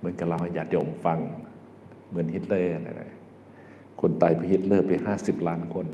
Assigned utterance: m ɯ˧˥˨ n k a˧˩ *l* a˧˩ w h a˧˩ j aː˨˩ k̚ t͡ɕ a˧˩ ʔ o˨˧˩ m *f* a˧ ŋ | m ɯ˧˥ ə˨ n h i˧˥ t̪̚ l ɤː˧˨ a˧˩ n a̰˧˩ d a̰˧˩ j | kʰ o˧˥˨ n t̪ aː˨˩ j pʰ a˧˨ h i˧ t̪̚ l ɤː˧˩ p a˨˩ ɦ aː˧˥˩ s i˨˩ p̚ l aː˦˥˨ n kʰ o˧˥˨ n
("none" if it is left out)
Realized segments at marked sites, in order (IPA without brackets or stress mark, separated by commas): l, f